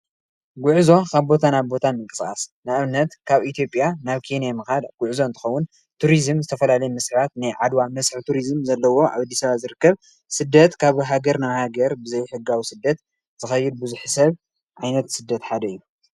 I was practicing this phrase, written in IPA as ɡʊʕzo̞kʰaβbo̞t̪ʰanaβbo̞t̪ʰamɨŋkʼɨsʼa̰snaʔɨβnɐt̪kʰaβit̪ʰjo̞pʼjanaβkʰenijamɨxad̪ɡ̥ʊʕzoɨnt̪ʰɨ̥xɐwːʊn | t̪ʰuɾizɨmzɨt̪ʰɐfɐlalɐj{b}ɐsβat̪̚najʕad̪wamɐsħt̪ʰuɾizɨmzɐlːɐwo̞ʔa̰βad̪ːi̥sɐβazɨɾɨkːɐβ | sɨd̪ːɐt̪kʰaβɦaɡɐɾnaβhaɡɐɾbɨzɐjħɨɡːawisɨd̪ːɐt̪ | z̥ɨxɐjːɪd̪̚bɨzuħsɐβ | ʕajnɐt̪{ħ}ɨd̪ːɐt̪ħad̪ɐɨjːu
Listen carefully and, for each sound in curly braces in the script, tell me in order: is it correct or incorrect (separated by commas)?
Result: incorrect, incorrect